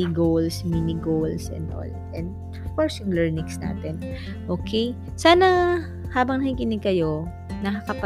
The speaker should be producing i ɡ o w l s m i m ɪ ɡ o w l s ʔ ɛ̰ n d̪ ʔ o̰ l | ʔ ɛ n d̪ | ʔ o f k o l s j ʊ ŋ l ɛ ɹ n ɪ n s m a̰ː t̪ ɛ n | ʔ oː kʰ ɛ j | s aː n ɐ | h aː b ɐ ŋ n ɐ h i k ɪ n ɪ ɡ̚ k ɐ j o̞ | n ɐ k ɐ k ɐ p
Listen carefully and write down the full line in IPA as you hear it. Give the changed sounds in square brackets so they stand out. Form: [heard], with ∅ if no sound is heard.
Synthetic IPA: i ɡ o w l s m i [n] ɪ ɡ o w l s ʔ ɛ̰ n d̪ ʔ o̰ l | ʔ ɛ n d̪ | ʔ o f k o [ɹ] s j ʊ ŋ l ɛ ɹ n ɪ [ŋ] s [n] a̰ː t̪ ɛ n | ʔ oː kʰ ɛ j | s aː n ɐ | h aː b ɐ ŋ n ɐ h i k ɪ n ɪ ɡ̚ k ɐ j o̞ | n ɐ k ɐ k ɐ p